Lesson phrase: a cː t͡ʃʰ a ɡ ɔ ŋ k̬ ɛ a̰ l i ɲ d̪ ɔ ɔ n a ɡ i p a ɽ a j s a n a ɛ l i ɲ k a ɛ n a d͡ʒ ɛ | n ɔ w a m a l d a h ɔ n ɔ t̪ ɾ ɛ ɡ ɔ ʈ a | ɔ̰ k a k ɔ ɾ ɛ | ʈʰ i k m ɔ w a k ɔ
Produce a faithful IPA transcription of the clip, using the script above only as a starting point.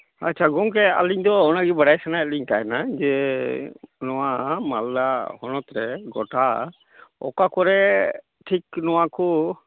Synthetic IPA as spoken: a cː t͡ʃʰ a ɡ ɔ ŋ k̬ ɛ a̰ l i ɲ d̪ ɔ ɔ n a ɡ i b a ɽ a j s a n a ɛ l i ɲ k a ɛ n a d͡ʒ ɛ | n ɔ w a m a l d a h ɔ n ɔ t̪ ɾ ɛ ɡ ɔ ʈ a | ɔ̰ k a k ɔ ɾ ɛ | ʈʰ i k n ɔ w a k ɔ